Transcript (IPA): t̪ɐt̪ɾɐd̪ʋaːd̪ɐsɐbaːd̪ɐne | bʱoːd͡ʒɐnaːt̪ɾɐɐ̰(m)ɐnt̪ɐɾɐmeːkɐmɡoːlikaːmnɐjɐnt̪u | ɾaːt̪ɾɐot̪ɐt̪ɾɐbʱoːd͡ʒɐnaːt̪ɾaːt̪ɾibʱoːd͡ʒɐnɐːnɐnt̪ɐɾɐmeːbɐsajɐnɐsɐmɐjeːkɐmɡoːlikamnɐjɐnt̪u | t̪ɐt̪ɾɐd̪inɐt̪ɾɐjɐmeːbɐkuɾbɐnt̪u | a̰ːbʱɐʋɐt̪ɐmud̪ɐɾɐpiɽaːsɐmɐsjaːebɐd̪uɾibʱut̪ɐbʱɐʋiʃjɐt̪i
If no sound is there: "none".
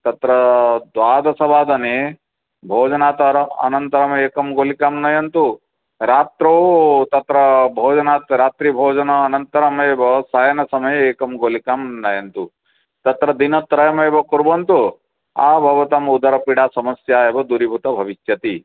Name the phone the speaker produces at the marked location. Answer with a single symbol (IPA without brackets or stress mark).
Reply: n